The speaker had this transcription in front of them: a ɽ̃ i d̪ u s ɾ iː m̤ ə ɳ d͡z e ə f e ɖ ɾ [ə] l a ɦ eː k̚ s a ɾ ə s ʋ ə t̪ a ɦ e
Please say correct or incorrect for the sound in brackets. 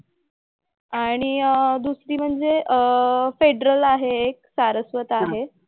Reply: correct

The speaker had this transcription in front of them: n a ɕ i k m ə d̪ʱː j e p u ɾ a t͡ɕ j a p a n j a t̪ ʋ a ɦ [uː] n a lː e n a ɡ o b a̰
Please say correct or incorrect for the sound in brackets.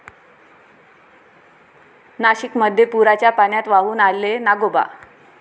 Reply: correct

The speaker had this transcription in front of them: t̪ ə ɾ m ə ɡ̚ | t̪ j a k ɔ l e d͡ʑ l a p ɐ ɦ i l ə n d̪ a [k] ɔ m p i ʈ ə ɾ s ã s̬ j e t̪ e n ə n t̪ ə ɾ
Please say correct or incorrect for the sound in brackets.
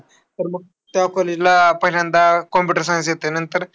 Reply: correct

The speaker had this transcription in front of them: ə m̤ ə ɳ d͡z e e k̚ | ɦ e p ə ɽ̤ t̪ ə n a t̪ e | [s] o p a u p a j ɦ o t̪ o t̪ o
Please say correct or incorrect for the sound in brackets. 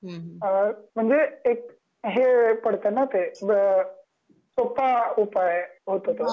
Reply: correct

